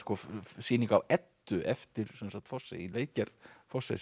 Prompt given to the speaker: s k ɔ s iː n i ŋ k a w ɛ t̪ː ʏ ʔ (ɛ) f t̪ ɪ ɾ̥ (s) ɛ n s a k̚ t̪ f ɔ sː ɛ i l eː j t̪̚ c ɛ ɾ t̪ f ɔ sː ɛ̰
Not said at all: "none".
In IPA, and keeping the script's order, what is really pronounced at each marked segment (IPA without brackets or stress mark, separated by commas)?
ɛ, s